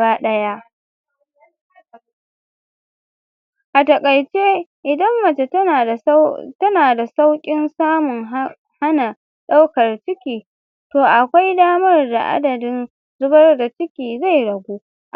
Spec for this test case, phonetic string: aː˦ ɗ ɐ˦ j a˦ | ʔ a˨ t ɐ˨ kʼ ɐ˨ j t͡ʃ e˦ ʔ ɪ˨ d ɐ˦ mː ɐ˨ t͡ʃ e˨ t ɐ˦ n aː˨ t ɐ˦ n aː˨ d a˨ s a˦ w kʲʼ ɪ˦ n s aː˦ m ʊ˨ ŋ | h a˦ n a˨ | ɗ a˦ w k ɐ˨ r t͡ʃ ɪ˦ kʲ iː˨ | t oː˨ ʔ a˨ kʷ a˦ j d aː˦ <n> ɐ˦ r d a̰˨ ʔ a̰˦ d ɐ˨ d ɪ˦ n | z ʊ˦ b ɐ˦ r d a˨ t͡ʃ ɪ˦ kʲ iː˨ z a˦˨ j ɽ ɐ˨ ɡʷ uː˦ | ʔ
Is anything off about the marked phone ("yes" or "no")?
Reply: yes